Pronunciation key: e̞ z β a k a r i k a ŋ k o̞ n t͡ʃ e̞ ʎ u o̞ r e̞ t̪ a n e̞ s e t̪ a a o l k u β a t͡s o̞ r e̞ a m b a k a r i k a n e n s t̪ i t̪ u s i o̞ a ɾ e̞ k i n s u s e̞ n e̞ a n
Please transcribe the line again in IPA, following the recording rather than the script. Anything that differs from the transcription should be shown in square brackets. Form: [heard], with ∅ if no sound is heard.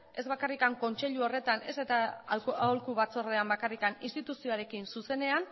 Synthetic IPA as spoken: e̞ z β a k a r i k a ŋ k o̞ n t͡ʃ e̞ ʎ u o̞ r e̞ t̪ a n e̞ s e t̪ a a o l k u β a t͡s o̞ r e̞ a m b a k a r i k a n [i] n s t̪ i t̪ u s i o̞ a ɾ e̞ k i n s u s e̞ n e̞ a n